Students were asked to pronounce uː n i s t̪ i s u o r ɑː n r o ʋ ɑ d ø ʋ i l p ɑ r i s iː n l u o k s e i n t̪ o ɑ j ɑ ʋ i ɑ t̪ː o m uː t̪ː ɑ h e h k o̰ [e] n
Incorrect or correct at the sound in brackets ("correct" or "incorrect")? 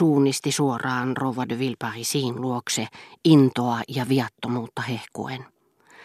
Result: correct